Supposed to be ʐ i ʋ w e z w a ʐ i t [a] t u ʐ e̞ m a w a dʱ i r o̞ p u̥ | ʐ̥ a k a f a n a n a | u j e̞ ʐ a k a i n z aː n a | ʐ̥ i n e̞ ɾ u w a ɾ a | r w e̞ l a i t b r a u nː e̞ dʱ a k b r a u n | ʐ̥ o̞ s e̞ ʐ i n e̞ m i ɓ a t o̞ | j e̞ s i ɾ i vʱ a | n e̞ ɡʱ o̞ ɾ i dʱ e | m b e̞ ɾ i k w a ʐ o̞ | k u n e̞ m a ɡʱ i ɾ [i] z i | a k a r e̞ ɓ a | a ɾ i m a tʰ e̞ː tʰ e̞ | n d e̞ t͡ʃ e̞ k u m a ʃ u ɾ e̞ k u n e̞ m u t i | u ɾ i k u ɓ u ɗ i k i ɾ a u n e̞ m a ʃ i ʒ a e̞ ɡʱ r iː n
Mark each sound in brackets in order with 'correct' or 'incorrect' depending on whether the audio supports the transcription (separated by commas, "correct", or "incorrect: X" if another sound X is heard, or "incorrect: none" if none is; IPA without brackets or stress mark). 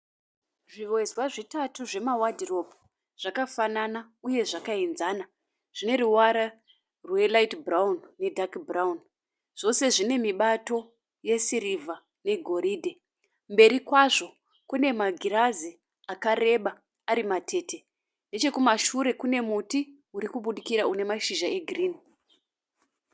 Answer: correct, incorrect: a